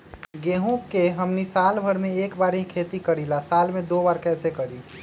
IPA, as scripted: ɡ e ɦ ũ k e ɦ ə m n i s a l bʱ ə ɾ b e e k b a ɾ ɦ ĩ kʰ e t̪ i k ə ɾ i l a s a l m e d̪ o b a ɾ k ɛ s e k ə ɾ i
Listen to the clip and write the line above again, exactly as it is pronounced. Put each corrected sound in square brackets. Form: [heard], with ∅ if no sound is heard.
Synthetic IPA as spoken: ɡ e ɦ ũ k e ɦ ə m n i s a l bʱ ə ɾ [m] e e k b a ɾ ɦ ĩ kʰ e t̪ i k ə ɾ i l a s a l m e d̪ o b a ɾ k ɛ s e k ə ɾ i